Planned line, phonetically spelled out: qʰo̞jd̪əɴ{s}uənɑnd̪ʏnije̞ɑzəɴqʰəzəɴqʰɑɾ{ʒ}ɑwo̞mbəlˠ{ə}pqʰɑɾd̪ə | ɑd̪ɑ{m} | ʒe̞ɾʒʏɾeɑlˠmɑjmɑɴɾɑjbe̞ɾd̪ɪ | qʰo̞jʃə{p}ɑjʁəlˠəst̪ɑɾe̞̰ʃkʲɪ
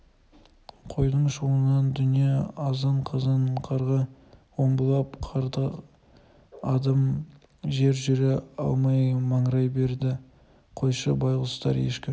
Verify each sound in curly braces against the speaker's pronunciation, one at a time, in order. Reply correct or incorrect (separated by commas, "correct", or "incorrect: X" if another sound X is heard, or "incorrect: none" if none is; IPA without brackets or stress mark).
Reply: incorrect: ʃ, incorrect: ʁ, incorrect: ɑ, correct, incorrect: b